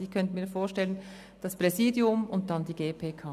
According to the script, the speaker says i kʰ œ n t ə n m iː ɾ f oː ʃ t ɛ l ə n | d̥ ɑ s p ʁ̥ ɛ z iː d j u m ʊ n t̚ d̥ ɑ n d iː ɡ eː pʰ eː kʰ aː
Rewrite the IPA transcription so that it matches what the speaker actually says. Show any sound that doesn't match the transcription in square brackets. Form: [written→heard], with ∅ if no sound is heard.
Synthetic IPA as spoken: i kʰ œ n t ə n m iː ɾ f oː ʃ t ɛ l ə n | d̥ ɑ s p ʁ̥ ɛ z iː d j [u→ʊ] m ʊ n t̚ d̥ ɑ n d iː ɡ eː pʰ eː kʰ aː

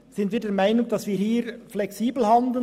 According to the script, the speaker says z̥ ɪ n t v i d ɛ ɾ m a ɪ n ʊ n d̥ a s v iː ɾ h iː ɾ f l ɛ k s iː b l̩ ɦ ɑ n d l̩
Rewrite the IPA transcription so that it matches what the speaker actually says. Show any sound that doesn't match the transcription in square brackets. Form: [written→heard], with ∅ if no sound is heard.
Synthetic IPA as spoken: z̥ ɪ n t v [i→iː] d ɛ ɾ m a ɪ n ʊ [n→ŋ] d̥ [a→ɑ] s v iː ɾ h iː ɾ f l ɛ k s iː b l̩ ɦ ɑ n d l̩

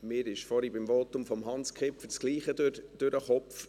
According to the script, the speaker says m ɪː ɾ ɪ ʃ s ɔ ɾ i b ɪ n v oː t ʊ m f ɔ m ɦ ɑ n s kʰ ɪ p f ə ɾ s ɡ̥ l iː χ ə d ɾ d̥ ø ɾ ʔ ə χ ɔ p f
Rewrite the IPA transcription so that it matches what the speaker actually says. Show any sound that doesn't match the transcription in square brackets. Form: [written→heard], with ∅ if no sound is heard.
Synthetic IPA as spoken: m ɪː ɾ ɪ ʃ [s→f] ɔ ɾ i b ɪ [n→m] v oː t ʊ m f ɔ m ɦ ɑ n s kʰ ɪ p f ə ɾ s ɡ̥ l iː χ ə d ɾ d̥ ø ɾ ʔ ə χ ɔ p f

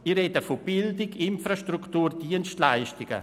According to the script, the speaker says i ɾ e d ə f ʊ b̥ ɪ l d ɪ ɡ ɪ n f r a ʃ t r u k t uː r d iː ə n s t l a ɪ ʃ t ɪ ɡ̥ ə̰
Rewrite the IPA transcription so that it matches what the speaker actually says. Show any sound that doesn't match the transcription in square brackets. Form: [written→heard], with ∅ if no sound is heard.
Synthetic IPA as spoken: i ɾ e d ə f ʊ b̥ ɪ l d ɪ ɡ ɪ n f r a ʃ t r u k t uː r d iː ə n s t l a ɪ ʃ t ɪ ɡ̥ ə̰

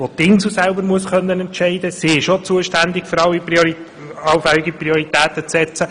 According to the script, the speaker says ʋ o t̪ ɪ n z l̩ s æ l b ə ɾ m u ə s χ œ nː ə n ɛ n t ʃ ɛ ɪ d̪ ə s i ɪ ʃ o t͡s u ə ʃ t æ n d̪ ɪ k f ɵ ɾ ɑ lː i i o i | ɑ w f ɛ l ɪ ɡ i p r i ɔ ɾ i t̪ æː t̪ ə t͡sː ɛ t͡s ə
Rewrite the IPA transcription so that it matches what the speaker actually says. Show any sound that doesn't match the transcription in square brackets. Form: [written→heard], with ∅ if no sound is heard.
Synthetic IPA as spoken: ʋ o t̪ ɪ n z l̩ s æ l b ə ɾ m u ə s χ œ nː ə n ɛ n t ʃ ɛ ɪ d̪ ə s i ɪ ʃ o t͡s u ə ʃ t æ n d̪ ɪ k f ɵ ɾ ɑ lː i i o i | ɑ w f ɛ l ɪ ɡ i p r i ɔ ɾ i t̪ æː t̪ ə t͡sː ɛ t͡s ə

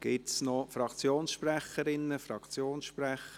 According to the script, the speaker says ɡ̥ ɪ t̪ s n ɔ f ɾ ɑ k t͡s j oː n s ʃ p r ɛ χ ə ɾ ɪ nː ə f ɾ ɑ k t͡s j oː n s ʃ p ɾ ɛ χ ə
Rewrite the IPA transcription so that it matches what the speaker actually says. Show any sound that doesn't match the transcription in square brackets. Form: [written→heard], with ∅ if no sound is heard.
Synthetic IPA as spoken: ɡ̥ ɪ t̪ s n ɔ f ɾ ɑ k t͡s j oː n s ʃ p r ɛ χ ə ɾ ɪ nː ə f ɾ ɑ k t͡s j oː n s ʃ p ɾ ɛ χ ə

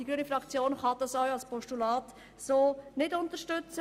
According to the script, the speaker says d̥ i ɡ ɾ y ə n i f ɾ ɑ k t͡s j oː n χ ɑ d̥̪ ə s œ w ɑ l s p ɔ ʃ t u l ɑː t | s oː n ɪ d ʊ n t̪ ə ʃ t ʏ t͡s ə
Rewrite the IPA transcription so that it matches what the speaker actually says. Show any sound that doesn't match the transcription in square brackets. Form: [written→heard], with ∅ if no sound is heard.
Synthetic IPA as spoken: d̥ i ɡ ɾ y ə n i f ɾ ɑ k t͡s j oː n χ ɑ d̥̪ [ə→ɑ] s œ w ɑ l s p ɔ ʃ t u l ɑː t | s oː n ɪ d ʊ n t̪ ə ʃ t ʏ t͡s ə

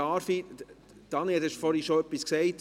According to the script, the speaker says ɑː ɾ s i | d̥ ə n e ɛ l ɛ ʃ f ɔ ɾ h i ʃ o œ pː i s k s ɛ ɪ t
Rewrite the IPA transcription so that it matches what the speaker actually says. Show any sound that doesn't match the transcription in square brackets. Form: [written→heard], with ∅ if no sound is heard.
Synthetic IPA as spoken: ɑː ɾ [s→f] i | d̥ [ə→ɑ] n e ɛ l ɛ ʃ f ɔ ɾ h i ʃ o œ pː i s k s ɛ ɪ t

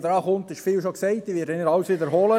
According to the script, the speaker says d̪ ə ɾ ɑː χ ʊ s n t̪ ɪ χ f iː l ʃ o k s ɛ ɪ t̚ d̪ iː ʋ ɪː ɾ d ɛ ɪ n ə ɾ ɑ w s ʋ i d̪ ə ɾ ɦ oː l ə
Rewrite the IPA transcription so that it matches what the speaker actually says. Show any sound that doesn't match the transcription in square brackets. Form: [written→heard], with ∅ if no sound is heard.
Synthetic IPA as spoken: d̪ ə ɾ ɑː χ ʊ [s→∅] n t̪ ɪ [χ→ʃ] f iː l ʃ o k s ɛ ɪ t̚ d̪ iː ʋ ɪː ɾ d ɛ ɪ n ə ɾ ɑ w s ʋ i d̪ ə ɾ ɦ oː l ə

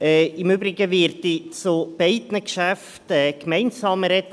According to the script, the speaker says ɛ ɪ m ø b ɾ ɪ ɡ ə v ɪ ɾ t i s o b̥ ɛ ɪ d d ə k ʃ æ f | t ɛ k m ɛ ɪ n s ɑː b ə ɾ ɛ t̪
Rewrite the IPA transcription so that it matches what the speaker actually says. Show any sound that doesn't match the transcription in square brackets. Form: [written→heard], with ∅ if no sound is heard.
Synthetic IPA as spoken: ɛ ɪ m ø b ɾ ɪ ɡ ə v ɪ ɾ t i [s→t͡s] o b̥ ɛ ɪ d [d→n] ə k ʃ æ f | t ɛ k m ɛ ɪ n s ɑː [b→m] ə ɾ ɛ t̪

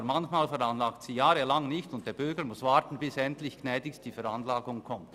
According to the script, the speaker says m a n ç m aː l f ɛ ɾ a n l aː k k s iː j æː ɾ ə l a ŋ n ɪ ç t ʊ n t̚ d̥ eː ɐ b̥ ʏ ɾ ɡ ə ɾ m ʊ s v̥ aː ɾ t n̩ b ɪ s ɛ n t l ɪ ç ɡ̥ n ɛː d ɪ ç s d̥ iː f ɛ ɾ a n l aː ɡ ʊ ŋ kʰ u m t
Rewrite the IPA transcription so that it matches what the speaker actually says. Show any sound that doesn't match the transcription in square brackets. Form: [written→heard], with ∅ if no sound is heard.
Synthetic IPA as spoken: m a n ç m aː l f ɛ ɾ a n l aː k [k→t] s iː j [æː→aː] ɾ ə l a ŋ n ɪ ç t ʊ n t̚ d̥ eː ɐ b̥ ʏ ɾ ɡ ə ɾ m ʊ s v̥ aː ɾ t n̩ b ɪ s ɛ n t l ɪ ç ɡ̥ n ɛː d ɪ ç s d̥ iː f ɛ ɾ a n l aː ɡ ʊ ŋ kʰ [u→ɔ] m t

